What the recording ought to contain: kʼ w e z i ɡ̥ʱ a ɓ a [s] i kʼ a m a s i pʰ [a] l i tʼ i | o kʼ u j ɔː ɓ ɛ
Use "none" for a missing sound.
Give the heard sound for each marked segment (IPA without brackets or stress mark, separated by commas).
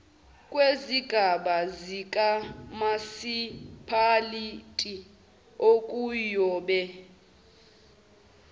z, a